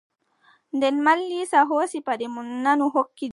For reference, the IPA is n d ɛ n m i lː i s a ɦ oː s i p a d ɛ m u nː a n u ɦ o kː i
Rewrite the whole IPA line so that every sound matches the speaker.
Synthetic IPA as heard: n d ɛ n m a lː i s a ɦ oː s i p a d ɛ m u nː a n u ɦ o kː i